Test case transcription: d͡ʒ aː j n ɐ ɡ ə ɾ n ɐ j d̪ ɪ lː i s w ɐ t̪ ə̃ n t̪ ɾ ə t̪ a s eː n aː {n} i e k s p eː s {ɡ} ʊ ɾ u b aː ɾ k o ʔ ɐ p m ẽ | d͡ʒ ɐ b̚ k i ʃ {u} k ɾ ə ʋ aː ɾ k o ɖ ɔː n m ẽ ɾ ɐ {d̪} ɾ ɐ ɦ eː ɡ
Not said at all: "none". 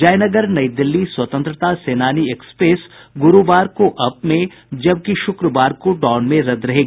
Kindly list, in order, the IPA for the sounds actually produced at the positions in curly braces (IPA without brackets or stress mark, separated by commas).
n, ɡ, ʊ, d̪